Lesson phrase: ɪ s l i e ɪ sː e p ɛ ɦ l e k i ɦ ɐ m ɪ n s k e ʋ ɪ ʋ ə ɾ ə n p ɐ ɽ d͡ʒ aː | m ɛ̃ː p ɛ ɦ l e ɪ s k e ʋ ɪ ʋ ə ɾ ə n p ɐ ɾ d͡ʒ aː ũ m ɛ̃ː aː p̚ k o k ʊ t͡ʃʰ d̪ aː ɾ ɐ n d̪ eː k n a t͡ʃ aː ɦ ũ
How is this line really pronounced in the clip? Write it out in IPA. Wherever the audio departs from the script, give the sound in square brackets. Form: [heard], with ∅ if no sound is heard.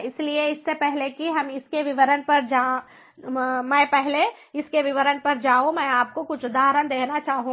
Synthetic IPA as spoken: ɪ s l i e ɪ sː e p ɛ ɦ l e k i ɦ ɐ m ɪ [∅] s k e ʋ ɪ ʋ ə ɾ ə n p ɐ [ɾ] d͡ʒ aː | m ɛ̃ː p ɛ ɦ l e ɪ s k e ʋ ɪ ʋ ə ɾ ə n p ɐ ɾ d͡ʒ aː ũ m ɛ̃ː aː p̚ k o k ʊ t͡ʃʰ d̪ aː ɾ [ə] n d̪ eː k n a t͡ʃ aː ɦ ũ